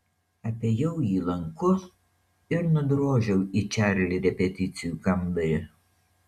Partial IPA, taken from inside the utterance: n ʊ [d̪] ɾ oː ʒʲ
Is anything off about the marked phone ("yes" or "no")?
no